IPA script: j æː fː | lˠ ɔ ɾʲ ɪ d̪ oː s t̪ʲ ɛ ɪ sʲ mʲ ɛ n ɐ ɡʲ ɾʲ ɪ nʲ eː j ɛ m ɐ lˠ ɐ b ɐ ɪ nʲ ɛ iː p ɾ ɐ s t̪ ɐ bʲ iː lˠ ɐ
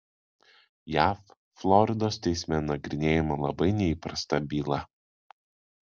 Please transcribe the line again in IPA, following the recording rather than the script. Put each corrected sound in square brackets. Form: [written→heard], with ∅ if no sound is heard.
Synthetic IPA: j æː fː | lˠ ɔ ɾʲ ɪ d̪ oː s t̪ʲ ɛ ɪ sʲ mʲ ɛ n ɐ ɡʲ ɾʲ ɪ nʲ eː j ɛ m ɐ lˠ ɐ b ɐ ɪ nʲ ɛ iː p ɾ ɐ s t̪ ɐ bʲ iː lˠ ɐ

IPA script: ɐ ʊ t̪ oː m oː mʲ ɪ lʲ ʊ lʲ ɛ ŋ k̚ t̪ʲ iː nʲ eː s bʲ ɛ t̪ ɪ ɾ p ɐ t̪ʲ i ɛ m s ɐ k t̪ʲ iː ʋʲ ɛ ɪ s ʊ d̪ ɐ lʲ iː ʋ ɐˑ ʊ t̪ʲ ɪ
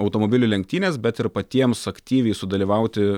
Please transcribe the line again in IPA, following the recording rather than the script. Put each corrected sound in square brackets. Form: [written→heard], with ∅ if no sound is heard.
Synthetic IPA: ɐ ʊ t̪ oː m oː [mʲ→bʲ] ɪ lʲ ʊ lʲ ɛ ŋ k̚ t̪ʲ iː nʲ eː s bʲ ɛ t̪ ɪ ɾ p ɐ t̪ʲ i ɛ m s ɐ k t̪ʲ iː ʋʲ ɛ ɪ s ʊ d̪ ɐ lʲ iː ʋ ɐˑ ʊ t̪ʲ ɪ

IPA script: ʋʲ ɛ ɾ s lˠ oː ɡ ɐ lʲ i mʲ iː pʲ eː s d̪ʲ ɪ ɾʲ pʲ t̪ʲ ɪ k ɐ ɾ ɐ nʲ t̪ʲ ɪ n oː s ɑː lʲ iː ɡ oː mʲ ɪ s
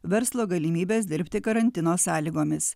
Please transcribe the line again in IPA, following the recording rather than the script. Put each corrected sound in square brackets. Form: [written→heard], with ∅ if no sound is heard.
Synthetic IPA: ʋʲ ɛ ɾ s lˠ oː ɡ ɐ lʲ i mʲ iː [pʲ→bʲ] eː s d̪ʲ ɪ ɾʲ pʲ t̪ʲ ɪ k ɐ ɾ ɐ nʲ t̪ʲ ɪ n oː s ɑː lʲ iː ɡ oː mʲ ɪ s

